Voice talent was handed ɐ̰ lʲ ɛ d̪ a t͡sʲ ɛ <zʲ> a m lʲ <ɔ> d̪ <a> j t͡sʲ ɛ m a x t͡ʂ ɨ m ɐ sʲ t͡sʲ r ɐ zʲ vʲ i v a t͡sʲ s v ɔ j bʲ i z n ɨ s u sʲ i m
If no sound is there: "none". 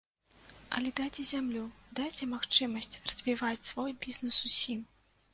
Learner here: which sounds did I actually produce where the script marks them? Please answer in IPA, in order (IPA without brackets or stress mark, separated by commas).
zʲ, u, a